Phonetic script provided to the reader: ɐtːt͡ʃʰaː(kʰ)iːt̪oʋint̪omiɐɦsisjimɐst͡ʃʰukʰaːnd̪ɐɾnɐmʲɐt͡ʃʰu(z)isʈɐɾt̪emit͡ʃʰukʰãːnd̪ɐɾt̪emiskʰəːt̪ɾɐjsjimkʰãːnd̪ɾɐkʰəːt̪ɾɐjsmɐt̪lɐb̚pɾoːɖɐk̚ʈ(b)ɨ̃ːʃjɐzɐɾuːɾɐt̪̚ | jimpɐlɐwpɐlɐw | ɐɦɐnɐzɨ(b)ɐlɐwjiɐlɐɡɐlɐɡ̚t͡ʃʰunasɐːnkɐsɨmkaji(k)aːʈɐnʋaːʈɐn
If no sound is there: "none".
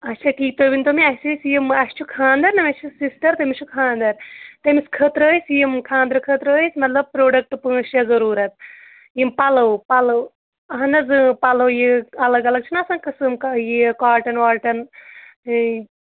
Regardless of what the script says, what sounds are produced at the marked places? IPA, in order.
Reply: k, s, p, p, k

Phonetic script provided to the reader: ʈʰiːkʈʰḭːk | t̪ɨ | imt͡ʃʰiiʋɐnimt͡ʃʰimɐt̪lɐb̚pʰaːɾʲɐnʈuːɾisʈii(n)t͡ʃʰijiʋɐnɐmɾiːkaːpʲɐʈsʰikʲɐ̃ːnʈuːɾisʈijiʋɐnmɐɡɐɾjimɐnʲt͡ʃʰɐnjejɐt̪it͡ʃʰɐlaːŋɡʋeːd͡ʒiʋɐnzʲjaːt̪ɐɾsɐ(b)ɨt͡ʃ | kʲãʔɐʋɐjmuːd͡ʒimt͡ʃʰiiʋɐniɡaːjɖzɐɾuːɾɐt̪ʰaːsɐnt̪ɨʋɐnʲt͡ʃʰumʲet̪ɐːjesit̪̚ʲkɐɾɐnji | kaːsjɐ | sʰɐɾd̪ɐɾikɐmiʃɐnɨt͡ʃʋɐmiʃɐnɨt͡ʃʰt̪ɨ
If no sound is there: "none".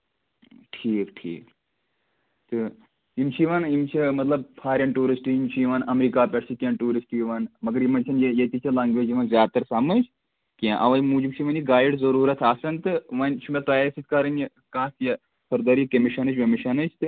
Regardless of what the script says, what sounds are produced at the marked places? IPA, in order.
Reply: m, m

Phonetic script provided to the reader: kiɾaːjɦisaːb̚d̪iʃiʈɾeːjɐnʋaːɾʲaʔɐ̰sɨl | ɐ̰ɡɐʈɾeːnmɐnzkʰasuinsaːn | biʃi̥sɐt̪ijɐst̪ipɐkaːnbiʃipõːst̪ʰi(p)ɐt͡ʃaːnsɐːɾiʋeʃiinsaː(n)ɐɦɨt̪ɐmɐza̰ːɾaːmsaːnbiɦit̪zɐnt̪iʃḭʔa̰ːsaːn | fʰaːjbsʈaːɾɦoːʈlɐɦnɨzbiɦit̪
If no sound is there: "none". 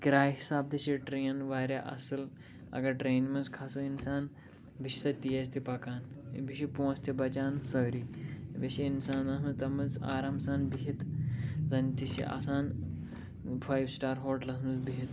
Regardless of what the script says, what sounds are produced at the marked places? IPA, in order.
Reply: b, n

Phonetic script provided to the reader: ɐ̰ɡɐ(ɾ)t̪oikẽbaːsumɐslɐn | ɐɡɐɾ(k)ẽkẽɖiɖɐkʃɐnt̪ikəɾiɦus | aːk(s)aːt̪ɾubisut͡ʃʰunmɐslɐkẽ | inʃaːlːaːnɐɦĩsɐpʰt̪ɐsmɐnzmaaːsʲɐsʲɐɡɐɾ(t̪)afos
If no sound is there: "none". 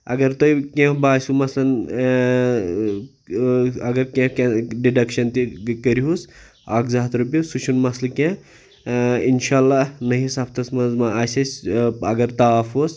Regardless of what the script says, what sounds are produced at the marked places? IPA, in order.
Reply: ɾ, k, z, t̪

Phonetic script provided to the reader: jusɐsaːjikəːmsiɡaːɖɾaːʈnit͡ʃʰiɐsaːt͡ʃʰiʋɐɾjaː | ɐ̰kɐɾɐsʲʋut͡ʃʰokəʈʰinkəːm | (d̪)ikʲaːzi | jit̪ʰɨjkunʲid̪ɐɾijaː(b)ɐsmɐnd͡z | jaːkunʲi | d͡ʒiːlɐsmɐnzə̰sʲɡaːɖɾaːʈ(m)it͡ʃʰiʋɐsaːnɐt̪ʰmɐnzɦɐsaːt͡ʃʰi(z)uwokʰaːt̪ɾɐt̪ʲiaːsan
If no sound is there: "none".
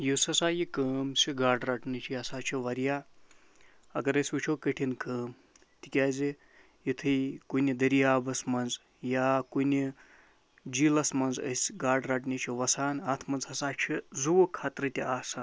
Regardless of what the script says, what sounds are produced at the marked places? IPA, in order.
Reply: t̪, b, n, z

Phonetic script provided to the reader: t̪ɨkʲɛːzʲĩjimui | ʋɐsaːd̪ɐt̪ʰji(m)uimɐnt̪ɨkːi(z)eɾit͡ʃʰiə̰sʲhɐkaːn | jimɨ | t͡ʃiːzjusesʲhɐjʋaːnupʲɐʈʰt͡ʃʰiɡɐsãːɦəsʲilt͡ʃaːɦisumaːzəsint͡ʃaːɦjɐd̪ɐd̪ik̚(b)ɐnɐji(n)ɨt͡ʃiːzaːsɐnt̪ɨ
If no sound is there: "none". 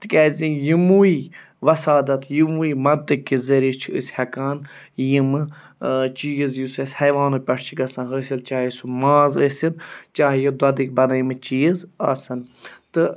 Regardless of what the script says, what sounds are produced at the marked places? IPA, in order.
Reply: m, z, b, m

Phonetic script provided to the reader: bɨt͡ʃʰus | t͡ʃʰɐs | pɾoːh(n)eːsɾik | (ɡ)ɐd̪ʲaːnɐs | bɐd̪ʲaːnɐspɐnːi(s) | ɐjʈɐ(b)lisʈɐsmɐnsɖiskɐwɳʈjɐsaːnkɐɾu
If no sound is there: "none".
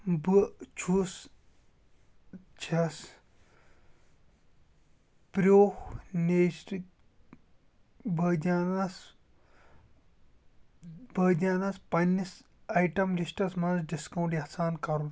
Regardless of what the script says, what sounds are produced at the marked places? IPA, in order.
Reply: n, b, s, m

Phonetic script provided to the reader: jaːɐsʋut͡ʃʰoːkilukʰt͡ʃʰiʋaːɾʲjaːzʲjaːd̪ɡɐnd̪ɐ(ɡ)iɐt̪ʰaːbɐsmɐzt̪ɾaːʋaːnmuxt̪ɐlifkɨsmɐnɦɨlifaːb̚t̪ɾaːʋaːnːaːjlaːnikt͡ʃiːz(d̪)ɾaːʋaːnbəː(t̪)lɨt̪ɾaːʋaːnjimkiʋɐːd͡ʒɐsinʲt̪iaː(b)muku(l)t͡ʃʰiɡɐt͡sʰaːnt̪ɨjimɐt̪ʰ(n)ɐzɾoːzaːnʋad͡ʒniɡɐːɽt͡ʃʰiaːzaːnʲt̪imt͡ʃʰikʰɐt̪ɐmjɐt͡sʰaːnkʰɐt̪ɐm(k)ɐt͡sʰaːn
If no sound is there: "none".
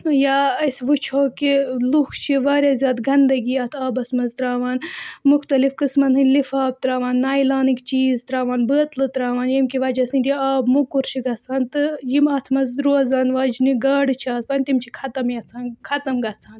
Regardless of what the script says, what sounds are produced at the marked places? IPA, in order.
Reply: ɡ, t̪, t̪, b, ɾ, m, ɡ

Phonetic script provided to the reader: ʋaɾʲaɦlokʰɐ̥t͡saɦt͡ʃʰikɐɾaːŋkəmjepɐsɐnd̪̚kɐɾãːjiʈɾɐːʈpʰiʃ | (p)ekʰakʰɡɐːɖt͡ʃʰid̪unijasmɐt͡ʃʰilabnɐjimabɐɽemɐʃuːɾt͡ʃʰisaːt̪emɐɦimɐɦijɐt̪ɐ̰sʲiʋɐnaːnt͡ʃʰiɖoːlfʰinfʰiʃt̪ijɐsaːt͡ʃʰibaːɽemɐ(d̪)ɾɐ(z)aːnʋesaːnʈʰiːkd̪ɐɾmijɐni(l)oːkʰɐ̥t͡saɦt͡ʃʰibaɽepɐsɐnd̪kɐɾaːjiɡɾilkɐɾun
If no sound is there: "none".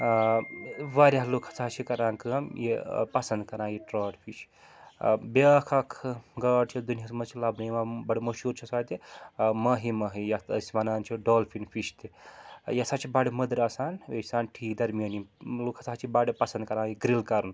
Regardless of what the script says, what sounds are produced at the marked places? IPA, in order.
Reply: b, d̪, s, l

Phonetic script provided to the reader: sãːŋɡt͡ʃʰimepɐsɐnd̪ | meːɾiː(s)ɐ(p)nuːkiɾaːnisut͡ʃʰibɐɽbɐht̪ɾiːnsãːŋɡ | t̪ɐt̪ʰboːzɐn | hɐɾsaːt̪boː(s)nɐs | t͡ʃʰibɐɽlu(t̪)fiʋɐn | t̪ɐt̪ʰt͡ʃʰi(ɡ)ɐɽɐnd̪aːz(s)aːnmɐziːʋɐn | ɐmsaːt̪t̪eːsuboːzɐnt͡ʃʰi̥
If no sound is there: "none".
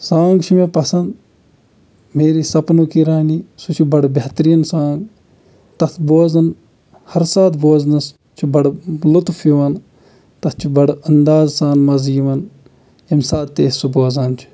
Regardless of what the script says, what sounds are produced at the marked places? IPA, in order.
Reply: s, p, z, t̪, b, s

